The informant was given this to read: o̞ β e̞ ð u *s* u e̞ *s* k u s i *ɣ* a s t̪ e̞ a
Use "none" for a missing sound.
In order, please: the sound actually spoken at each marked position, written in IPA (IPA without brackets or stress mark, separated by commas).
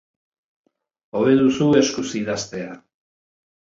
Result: s, s, ð